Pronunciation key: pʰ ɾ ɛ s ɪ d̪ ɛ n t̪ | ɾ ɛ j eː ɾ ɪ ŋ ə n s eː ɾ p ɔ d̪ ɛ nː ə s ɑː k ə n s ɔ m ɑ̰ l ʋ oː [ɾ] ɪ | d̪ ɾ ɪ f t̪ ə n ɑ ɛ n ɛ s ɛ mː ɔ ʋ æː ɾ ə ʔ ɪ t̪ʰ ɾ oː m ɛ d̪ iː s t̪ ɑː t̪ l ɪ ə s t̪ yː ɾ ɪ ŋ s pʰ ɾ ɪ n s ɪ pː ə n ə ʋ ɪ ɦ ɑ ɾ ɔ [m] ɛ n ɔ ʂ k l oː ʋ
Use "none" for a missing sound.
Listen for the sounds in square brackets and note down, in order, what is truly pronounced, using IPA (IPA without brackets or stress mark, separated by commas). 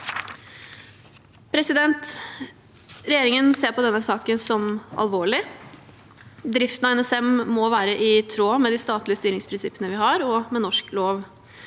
ɭ, m